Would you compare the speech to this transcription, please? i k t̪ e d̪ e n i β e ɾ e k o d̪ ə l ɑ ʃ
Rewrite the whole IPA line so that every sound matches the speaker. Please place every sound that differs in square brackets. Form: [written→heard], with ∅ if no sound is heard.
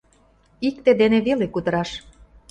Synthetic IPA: i k t̪ e d̪ e n [i→e] β e [ɾ→l] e k [o→u] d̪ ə [l→ɾ] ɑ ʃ